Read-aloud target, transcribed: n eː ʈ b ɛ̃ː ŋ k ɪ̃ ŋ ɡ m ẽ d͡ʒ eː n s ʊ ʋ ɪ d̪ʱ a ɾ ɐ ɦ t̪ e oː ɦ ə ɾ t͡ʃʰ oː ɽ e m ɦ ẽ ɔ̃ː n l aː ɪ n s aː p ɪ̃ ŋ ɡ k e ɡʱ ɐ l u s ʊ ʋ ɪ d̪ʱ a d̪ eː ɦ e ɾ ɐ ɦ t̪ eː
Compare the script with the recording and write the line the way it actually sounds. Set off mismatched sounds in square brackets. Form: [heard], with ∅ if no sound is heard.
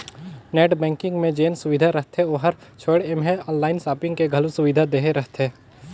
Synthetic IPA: n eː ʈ b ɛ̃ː ŋ k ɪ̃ ŋ ɡ m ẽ d͡ʒ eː n s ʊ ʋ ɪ d̪ʱ a ɾ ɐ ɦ t̪ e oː ɦ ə ɾ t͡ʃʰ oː ɽ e m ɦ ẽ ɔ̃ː n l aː ɪ n s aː p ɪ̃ ŋ ɡ k e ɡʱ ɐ l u s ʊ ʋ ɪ d̪ʱ a d̪ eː ɦ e ɾ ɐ ɦ t̪ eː